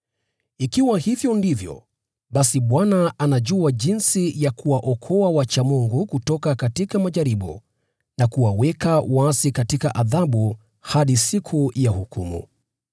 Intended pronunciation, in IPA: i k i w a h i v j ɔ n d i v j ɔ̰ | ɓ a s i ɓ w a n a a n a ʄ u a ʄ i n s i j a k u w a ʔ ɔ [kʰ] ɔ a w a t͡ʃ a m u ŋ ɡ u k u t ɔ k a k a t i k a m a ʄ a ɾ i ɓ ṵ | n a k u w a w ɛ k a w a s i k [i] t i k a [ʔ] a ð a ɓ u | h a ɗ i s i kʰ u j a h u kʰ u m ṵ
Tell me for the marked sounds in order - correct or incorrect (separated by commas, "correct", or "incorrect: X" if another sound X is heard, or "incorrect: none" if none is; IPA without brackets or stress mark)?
correct, incorrect: a, correct